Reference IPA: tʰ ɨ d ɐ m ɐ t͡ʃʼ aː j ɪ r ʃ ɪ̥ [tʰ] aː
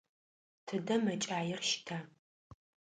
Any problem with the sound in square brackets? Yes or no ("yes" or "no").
no